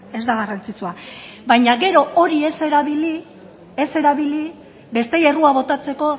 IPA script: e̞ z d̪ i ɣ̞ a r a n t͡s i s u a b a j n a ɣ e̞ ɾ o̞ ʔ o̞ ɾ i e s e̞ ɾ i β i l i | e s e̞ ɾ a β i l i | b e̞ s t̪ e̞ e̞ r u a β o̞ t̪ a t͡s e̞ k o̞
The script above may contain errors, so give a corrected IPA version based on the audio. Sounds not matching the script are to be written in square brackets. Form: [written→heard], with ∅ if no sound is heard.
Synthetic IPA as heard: e̞ z d̪ [i→a] ɣ̞ a r a n t͡s i [s→t͡s] u a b a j [n→ɲ] a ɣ e̞ ɾ o̞ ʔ o̞ ɾ i e s e̞ ɾ [i→a] β i l i | e s e̞ ɾ a β i l i | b e̞ s t̪ e̞ e̞ r u a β o̞ t̪ a t͡s e̞ k o̞